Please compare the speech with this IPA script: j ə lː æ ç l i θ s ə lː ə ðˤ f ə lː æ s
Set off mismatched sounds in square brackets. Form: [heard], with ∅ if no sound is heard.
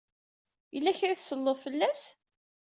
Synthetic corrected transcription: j ə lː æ ç [ɾ] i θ s ə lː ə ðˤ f ə lː æ s

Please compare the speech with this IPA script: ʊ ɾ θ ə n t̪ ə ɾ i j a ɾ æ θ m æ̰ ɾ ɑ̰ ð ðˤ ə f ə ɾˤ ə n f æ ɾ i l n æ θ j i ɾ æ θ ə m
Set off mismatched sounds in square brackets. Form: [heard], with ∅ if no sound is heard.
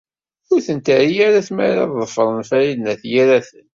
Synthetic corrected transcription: ʊ ɾ θ ə n t̪ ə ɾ i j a ɾ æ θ m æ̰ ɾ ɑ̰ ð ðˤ ə f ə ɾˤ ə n f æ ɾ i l n æ θ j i ɾ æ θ ə [n]

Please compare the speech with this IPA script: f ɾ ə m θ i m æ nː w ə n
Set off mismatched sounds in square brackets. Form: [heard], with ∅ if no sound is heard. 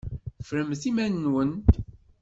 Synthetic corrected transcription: f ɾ ə m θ i m æ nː w ə n

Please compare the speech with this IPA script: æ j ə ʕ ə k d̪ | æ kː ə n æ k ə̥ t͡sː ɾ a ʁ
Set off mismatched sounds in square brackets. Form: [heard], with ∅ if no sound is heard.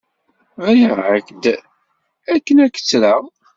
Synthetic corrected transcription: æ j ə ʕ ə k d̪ | æ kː ə n æ k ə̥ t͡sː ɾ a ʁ

